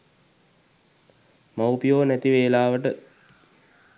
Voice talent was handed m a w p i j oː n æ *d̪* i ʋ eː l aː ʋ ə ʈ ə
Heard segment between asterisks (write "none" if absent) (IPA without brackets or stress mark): t̪